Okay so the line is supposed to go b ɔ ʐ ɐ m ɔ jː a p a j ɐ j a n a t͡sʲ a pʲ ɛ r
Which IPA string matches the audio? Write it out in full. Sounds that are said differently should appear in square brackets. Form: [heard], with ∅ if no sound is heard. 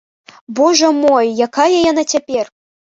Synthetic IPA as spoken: b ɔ ʐ ɐ m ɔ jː a [k] a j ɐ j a n a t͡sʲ a pʲ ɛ r